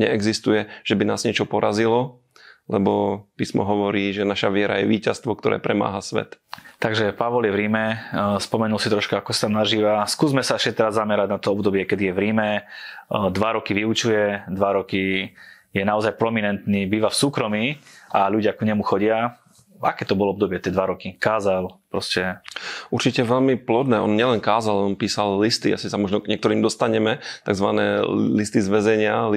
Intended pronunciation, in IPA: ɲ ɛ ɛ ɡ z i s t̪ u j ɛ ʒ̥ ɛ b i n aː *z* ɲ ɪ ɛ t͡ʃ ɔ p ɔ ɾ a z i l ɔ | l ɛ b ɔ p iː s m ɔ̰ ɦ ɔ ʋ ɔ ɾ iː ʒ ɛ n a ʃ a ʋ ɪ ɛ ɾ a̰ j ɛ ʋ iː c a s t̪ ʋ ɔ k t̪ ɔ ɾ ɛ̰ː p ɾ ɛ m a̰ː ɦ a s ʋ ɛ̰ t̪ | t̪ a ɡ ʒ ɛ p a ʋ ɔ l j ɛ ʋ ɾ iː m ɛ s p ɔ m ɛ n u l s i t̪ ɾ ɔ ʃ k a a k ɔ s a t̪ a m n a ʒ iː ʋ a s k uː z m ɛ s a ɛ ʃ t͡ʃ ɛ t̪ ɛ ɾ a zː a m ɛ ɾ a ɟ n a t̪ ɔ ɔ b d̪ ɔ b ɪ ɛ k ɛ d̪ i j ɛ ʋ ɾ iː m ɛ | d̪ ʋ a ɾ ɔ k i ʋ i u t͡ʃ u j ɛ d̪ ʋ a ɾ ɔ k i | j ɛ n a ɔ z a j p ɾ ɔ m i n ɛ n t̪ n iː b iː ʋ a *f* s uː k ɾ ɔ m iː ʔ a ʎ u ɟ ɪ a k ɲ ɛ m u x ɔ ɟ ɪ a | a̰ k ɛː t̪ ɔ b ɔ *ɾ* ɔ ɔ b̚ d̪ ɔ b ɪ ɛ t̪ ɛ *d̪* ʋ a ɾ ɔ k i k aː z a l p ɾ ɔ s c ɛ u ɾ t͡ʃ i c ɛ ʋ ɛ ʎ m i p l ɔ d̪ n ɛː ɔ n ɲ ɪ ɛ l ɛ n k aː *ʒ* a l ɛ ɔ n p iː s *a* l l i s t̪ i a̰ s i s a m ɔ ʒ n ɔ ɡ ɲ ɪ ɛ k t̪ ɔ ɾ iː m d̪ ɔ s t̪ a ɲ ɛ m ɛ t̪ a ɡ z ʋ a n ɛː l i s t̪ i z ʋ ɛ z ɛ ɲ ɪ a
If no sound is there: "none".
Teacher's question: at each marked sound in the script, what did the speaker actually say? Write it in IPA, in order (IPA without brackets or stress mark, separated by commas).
z, f, l, d̪, z, a